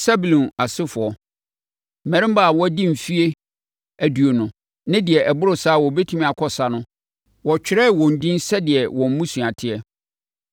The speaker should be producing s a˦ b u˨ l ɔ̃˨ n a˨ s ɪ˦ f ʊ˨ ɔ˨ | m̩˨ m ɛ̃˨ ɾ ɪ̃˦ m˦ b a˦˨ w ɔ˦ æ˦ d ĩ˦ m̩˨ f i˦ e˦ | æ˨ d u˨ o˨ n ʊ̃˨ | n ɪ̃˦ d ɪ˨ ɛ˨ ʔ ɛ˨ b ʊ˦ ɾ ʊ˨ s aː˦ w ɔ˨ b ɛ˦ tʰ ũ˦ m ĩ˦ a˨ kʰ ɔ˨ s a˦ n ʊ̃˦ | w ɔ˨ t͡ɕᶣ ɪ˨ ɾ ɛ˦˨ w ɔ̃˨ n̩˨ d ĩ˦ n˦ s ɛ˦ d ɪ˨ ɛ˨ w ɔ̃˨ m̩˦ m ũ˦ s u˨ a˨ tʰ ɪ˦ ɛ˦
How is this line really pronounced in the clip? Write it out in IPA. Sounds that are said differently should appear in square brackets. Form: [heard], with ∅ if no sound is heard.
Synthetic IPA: s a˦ b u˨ l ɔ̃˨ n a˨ s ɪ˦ f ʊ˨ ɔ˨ | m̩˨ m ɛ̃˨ ɾ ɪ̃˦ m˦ b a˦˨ w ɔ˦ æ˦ d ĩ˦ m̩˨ f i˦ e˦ | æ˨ d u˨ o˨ n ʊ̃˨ | n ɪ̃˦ d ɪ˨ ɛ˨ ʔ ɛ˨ b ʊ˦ ɾ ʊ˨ s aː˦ w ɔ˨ b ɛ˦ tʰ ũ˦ m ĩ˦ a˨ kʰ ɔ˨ s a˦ n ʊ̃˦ | w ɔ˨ t͡ɕᶣ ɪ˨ ɾ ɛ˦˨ w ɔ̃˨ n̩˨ d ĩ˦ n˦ s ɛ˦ d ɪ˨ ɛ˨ w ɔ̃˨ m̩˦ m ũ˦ s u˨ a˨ tʰ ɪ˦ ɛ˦